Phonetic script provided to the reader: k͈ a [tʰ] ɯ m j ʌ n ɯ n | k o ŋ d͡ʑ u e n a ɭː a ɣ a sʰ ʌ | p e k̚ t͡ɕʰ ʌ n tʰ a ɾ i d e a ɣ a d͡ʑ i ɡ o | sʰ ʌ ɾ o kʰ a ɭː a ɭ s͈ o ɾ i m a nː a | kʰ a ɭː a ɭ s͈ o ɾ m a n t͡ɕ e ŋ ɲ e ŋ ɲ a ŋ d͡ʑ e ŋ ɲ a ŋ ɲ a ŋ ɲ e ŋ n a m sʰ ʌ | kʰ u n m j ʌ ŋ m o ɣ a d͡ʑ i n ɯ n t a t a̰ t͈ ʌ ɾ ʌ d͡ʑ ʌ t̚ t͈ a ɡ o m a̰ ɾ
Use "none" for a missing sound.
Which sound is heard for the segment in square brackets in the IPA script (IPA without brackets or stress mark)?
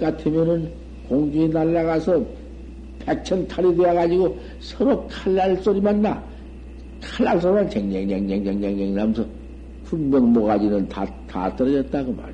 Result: tʰ